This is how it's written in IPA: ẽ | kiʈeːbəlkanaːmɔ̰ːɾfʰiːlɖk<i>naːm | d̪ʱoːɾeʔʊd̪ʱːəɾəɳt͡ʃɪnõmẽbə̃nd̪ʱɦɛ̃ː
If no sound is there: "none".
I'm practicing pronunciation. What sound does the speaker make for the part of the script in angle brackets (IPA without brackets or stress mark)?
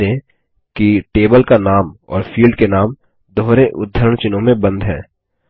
e